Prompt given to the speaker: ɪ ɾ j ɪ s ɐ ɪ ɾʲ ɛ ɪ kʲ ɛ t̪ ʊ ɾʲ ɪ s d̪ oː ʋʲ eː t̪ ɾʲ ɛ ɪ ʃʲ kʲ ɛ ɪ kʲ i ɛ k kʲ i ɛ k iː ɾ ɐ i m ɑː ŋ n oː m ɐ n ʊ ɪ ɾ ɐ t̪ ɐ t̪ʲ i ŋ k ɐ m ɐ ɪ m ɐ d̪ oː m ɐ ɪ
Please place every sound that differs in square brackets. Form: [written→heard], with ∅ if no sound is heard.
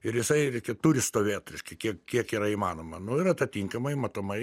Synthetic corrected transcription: ɪ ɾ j ɪ s ɐ ɪ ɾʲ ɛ ɪ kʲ ɛ t̪ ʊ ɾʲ ɪ s [d̪→t̪] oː ʋʲ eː t̪ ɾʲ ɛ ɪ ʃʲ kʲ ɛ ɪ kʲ i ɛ k kʲ i ɛ k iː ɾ ɐ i m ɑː [ŋ→∅] n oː m ɐ n ʊ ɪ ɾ ɐ t̪ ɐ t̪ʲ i ŋ k ɐ m ɐ ɪ m ɐ [d̪→t̪] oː m ɐ ɪ